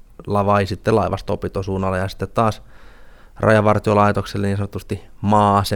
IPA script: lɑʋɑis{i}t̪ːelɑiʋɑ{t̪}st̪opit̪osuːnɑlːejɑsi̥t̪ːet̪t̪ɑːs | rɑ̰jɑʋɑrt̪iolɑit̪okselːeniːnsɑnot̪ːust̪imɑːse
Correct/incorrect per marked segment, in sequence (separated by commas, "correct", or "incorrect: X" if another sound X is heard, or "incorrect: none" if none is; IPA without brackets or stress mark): correct, incorrect: none